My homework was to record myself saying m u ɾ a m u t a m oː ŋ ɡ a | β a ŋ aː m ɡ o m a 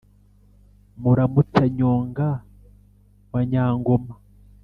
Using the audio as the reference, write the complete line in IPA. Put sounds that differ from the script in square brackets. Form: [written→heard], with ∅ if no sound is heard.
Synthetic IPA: m u ɾ a m u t a [m→ɲ] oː ŋ ɡ a | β a [ŋ→ɲ] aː [m→ŋ] ɡ o m a

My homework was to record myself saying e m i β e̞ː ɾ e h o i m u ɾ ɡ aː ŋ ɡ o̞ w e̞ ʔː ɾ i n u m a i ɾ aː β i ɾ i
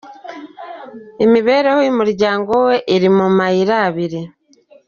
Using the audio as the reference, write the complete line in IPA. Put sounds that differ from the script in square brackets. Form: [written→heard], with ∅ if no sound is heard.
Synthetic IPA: e m i β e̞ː ɾ e h o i m u ɾ [ɡ→ɟ] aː ŋ ɡ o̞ w e̞ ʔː ɾ i [n→m] u m a i ɾ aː β i ɾ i

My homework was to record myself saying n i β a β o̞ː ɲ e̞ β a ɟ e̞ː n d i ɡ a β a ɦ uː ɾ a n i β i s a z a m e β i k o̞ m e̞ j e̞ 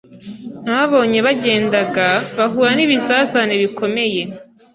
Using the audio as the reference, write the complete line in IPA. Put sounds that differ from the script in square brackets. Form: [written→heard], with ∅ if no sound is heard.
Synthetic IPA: n [i→a] β a β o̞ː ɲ e̞ β a ɟ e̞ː n d [i→a] ɡ a β a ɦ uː ɾ a n i β i s a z a [m→n] e β i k o̞ m e̞ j e̞

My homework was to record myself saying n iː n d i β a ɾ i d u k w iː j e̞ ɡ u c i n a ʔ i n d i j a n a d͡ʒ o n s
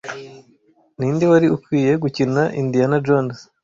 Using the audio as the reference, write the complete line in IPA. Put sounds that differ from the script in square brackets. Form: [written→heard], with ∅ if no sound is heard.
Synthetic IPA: n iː n d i [β→w] a ɾ i [d→∅] u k w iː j e̞ ɡ u c i n a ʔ i n d i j a n a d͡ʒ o n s

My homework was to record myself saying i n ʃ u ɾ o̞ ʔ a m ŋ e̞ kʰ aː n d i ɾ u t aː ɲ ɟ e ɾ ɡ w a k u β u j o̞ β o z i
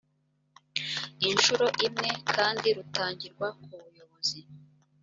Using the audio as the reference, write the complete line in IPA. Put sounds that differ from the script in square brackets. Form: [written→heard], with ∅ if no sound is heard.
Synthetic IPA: i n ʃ u ɾ o̞ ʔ [a→i] m ŋ e̞ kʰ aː n d i ɾ u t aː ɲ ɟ [e→i] ɾ ɡ w a k u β u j o̞ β o z i

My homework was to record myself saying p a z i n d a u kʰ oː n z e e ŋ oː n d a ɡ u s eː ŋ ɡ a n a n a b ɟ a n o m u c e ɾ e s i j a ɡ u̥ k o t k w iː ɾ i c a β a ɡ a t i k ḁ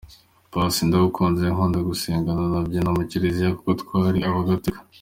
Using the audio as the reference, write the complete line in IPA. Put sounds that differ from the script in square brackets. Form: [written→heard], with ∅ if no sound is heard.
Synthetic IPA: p a [z→s] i n d a u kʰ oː n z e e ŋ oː n d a ɡ u s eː ŋ ɡ a n a n a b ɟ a n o m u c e ɾ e [s→z] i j a [ɡ→k] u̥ k o t k w [iː→aː] ɾ i [c→∅] a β a ɡ a t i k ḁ

